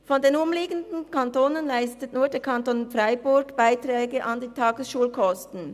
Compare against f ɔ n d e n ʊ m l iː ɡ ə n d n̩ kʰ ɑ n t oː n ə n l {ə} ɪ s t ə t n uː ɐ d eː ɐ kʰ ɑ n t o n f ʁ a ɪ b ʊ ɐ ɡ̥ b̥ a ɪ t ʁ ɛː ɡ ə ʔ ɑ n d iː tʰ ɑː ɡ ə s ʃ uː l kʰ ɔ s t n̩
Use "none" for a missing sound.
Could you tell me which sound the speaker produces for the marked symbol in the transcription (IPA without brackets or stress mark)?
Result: a